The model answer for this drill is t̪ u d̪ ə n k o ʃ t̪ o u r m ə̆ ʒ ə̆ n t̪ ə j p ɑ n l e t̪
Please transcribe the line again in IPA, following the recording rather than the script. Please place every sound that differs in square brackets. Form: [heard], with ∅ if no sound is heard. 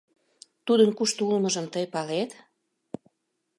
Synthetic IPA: t̪ u d̪ ə n k [u] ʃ t̪ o u [l] m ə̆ ʒ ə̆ [m] t̪ ə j p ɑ [∅] l e t̪